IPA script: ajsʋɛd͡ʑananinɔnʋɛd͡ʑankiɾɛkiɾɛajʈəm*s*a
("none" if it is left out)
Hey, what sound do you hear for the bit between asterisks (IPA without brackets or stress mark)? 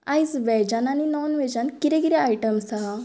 s